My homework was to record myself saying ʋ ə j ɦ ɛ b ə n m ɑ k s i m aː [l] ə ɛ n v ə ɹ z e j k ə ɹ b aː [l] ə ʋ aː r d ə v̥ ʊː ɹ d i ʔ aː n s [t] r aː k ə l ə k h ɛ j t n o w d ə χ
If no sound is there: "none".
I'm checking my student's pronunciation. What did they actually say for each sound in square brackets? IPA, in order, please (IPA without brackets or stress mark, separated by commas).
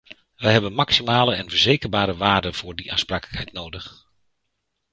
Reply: l, ɾ, p